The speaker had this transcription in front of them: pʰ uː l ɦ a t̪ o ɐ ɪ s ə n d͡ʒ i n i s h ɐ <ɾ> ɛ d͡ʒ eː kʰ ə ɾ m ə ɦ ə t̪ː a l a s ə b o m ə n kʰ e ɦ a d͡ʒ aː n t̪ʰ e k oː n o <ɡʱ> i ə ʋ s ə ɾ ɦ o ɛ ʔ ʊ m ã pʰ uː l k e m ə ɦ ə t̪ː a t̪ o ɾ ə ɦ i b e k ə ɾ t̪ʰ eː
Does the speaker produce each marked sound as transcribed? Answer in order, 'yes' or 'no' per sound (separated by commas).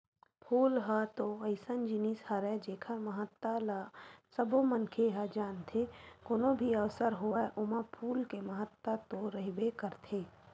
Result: yes, no